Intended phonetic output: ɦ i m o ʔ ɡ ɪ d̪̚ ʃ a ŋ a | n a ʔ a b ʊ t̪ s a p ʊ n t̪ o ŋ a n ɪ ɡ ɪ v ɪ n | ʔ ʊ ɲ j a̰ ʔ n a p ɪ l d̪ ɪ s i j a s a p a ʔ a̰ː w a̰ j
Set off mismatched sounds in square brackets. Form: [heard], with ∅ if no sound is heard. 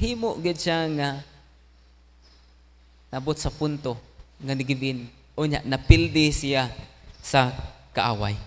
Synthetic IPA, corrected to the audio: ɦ i m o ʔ ɡ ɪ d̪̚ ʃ a ŋ a | n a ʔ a b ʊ t̪ s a p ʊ n t̪ o ŋ a n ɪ ɡ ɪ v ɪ n | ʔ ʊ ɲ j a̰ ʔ n a p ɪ l d̪ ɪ s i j a s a [k] a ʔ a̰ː w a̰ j